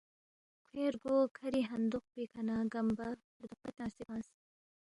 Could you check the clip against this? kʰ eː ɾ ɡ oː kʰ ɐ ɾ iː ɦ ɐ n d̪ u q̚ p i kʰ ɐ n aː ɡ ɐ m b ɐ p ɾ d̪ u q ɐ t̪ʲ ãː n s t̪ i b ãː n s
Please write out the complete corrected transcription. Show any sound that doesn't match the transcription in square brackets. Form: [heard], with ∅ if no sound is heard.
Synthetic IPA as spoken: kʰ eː ɾ ɡ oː kʰ ɐ ɾ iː ɦ ɐ n d̪ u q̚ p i kʰ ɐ n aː ɡ ɐ m b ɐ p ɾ d̪ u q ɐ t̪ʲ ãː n s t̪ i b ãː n s